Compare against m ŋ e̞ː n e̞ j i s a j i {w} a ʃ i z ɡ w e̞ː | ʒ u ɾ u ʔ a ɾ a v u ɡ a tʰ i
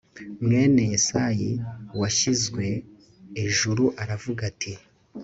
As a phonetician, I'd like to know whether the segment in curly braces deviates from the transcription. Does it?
no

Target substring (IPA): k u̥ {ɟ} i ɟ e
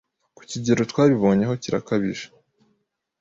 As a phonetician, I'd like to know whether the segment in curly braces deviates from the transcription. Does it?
yes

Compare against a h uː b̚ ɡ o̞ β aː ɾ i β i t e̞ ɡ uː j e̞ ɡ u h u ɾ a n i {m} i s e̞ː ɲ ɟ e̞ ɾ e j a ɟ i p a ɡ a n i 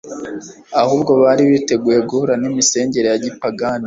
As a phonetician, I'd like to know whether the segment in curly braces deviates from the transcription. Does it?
no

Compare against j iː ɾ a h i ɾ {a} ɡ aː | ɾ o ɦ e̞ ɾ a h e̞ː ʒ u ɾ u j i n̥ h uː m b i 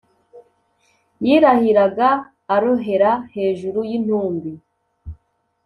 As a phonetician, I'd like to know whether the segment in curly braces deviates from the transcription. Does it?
no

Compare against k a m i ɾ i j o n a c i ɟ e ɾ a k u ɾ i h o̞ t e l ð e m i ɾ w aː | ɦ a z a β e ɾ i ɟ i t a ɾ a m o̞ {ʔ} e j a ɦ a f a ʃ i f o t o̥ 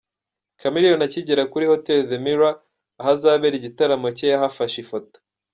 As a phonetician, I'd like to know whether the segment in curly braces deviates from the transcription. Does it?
yes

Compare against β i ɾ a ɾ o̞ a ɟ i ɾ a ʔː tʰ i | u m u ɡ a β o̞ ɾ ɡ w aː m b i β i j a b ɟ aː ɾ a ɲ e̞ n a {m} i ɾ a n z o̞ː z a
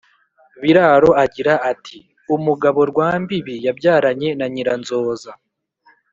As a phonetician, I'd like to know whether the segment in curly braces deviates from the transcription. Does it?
yes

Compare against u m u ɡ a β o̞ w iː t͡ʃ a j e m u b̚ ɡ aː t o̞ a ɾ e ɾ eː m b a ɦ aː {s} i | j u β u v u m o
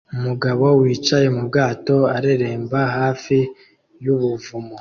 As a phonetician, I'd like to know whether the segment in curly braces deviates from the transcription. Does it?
yes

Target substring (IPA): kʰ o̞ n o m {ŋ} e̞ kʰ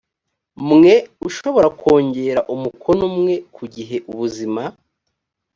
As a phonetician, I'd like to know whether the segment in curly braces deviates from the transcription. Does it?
no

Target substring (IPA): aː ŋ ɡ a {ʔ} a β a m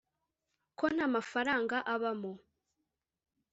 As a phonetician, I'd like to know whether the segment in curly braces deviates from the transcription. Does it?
no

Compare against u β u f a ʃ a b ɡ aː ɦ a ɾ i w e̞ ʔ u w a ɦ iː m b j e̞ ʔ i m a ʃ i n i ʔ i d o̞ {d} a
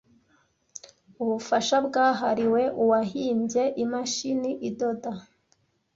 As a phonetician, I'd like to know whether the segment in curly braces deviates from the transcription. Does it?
no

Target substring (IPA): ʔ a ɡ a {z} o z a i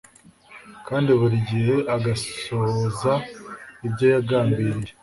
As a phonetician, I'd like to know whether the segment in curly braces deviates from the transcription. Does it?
yes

